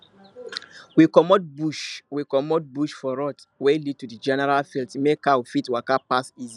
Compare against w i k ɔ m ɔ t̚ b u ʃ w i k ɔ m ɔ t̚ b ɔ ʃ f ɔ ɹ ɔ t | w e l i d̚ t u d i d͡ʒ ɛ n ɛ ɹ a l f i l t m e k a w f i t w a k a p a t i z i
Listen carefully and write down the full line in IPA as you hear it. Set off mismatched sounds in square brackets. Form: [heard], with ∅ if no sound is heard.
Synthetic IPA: w i k ɔ m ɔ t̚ b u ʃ w i k ɔ m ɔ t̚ b [u] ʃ f ɔ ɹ ɔ t | w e l i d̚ t u d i d͡ʒ ɛ n ɛ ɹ a l f i l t m e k a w f i t w a k a p a [s] i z i